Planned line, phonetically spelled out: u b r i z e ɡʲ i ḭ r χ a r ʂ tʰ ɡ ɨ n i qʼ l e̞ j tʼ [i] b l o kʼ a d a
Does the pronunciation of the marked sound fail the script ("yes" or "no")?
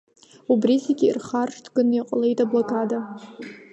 yes